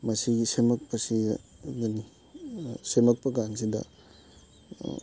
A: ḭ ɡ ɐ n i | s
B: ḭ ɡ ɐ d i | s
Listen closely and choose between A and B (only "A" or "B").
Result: A